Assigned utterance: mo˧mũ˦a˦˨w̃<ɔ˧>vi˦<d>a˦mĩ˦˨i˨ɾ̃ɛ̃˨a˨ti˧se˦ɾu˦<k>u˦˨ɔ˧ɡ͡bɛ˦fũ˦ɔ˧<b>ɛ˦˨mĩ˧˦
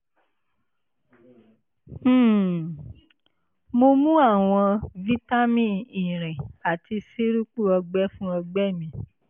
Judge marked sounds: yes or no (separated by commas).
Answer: no, no, no, no